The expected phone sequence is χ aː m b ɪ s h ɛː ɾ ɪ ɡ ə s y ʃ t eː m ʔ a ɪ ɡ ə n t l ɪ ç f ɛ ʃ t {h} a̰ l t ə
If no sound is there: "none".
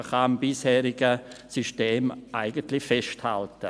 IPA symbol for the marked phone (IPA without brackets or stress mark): h